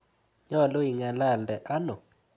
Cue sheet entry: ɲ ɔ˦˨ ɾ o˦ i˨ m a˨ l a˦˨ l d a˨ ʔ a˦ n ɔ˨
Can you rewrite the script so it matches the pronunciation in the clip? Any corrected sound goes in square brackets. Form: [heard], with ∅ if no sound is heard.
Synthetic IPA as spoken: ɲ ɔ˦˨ [l] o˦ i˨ [ŋ] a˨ l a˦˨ l d [ɛ˨] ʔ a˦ n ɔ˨

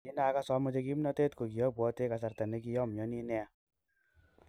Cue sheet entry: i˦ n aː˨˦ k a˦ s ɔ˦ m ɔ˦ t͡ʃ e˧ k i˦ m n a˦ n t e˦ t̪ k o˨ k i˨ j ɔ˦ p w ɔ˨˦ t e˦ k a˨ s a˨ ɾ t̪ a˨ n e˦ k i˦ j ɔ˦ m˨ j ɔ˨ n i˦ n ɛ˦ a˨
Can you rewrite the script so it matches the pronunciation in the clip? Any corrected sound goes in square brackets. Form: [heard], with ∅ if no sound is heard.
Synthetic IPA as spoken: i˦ n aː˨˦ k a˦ s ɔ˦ m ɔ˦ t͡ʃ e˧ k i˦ m n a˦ [∅] t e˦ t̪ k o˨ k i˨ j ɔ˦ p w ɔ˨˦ t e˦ k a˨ s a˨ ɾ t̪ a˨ n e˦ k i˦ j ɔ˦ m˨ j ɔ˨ n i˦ n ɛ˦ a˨

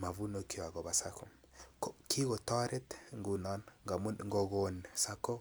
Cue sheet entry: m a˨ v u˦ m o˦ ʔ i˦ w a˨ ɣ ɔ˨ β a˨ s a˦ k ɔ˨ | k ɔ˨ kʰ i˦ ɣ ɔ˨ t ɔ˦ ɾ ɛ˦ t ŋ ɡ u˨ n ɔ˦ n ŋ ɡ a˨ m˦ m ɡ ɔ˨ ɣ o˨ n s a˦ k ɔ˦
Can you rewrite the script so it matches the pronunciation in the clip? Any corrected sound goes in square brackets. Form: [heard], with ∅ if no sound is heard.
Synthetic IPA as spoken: m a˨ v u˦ [n] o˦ [k] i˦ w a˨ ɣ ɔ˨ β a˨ s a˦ k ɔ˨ | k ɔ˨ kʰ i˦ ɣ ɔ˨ t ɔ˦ ɾ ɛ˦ t ŋ ɡ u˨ n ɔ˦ n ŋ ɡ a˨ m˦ [ŋ] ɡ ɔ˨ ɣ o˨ n s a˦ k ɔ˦

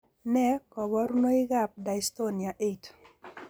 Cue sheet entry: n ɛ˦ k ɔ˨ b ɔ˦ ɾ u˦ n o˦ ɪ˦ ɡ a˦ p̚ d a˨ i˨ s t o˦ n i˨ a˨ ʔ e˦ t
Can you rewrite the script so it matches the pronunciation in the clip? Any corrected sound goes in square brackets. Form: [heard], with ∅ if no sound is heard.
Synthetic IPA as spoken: n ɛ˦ k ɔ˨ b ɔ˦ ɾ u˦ n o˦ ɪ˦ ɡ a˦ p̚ d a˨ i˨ s t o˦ n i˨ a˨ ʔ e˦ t

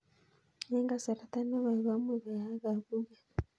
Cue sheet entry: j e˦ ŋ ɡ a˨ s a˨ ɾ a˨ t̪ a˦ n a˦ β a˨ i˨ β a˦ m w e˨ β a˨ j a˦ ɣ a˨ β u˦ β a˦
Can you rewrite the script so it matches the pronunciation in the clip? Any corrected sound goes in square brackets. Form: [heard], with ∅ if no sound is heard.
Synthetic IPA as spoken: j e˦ ŋ ɡ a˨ s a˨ ɾ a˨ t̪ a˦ n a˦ β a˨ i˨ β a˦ m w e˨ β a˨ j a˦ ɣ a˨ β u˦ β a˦

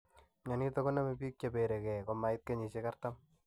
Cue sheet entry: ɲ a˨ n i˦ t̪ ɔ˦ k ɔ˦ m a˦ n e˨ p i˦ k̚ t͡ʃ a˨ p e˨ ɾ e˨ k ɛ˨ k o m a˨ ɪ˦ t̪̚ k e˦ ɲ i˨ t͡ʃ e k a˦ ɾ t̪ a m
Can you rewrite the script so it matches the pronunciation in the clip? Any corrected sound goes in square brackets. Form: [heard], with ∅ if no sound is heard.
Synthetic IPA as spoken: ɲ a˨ n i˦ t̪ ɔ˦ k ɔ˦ [n] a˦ [m] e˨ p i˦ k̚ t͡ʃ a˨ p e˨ ɾ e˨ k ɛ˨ k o m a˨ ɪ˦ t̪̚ k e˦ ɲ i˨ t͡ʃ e k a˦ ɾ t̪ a m

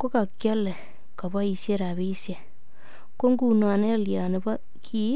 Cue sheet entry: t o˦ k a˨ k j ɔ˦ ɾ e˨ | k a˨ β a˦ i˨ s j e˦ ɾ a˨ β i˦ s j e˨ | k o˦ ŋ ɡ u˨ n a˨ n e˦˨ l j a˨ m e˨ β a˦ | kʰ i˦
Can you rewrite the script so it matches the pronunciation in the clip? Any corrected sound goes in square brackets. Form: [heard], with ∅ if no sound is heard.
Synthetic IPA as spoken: [k] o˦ k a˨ k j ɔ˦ [l] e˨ | k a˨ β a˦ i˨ s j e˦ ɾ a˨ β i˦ s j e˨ | k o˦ ŋ ɡ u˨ n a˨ n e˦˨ l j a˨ [n] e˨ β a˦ | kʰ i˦

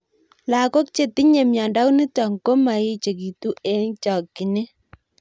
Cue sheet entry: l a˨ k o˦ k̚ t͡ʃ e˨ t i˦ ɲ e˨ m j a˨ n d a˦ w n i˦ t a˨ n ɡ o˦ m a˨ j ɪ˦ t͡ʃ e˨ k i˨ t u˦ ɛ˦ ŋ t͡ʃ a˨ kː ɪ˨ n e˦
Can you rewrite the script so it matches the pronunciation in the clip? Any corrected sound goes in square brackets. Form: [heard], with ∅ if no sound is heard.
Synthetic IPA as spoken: l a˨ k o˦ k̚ t͡ʃ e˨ t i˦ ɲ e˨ m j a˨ n d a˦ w n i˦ t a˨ [ŋ] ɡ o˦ m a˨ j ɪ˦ t͡ʃ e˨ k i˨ t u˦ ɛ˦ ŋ t͡ʃ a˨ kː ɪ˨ n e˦

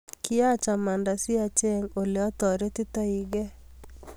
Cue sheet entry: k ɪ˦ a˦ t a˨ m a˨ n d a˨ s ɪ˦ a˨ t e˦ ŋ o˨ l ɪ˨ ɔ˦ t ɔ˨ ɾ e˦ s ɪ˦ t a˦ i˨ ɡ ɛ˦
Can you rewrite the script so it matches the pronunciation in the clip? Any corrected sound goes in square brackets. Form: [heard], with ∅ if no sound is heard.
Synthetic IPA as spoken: k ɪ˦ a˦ [t͡ʃ] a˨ m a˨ n d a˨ s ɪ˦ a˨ [t͡ʃ] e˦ ŋ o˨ l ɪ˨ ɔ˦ t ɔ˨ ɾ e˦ [t] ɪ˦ t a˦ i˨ ɡ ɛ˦

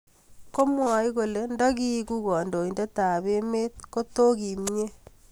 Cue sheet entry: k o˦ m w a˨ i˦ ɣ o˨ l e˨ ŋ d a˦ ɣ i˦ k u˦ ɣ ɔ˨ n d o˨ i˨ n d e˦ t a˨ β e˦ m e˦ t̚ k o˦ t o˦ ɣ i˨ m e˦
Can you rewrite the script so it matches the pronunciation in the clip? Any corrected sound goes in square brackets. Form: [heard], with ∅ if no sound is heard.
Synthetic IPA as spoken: k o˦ m w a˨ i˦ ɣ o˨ l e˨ [n] d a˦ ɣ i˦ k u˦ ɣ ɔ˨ n d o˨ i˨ n d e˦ t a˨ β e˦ m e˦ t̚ k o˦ t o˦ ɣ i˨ m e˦

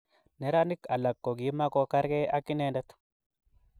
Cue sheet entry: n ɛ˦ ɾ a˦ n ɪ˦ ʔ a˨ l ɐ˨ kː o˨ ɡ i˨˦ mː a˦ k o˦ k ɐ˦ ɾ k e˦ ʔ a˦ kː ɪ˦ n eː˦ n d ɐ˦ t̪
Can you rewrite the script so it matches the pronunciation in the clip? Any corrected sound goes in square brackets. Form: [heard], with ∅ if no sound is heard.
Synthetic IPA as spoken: n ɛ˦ ɾ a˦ n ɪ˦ [k] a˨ l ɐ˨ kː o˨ ɡ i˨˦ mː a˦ k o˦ k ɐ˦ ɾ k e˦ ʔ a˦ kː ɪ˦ n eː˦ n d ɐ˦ t̪

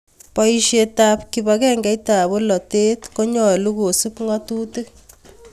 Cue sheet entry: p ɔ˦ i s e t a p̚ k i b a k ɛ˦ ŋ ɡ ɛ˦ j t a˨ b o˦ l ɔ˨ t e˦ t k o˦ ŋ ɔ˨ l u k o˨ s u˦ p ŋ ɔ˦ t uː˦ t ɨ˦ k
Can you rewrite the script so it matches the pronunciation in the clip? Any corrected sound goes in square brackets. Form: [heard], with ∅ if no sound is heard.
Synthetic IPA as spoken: p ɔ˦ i [ʃ] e t a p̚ k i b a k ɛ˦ ŋ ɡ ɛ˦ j t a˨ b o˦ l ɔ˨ t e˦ t k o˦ [ɲ] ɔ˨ l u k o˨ s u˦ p ŋ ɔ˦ t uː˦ t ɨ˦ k

